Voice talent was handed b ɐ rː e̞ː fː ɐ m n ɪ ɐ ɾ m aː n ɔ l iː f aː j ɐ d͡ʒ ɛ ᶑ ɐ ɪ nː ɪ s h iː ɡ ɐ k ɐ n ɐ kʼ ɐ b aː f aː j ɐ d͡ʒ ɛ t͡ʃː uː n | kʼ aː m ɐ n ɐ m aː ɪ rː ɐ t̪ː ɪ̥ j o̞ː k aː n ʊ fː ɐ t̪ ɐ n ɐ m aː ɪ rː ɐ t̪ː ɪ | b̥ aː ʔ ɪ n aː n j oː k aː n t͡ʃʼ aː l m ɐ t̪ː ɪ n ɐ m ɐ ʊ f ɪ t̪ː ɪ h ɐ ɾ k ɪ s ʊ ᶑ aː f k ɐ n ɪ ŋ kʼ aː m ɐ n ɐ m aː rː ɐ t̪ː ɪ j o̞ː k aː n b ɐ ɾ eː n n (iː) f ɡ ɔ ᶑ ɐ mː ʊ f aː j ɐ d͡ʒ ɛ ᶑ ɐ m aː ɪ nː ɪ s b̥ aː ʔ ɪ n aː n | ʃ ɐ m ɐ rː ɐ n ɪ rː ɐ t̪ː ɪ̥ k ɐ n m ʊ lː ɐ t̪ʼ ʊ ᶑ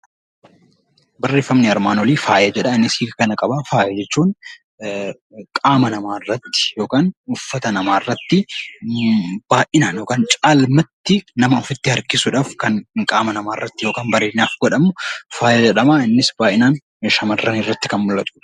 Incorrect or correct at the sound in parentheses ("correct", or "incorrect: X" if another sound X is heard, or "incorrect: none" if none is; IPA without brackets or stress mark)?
incorrect: aː